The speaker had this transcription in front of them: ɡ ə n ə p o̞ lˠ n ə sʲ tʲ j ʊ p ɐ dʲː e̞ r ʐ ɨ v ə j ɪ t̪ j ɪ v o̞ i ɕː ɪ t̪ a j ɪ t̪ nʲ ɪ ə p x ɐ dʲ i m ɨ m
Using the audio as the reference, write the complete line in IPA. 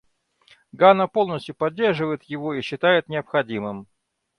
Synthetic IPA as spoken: ɡ a n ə p o̞ lˠ n ə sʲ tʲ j ʊ p ɐ dʲː e̞ r ʐ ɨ v ə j ɪ t̪ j ɪ v o̞ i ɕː ɪ t̪ a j ɪ t̪ nʲ ɪ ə p x ɐ dʲ i m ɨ m